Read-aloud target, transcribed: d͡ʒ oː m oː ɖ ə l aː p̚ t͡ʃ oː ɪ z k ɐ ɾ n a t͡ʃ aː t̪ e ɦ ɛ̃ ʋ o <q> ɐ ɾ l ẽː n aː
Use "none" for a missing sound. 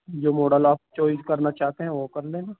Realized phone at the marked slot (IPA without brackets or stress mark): k